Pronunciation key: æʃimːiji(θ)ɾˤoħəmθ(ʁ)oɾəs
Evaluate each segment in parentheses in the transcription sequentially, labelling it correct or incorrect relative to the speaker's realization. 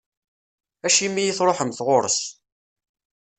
correct, correct

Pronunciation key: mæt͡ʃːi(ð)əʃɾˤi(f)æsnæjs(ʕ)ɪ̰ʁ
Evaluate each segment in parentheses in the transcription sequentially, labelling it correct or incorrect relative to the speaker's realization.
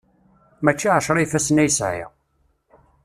incorrect: ʕ, correct, correct

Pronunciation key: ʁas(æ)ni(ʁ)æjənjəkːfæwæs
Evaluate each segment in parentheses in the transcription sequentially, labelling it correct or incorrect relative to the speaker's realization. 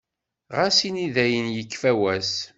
incorrect: i, incorrect: ð

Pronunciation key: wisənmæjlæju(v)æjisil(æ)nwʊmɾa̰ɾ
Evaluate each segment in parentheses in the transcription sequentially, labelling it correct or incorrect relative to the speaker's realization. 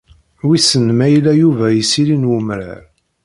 correct, incorrect: i

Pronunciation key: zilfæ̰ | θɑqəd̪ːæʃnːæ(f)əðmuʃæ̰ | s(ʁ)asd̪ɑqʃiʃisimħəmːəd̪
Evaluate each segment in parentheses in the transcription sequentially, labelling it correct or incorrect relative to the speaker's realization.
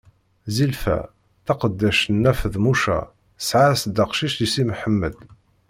correct, incorrect: ʕ

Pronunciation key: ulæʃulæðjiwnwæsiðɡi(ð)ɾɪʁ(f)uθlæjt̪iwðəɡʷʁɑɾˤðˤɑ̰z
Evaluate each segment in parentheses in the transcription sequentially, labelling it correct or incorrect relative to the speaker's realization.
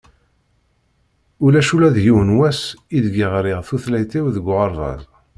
incorrect: ʁ, incorrect: θ

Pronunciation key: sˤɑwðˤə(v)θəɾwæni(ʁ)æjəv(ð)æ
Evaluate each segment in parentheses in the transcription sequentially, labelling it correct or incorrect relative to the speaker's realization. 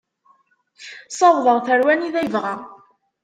incorrect: ʁ, incorrect: ð, incorrect: ʁ

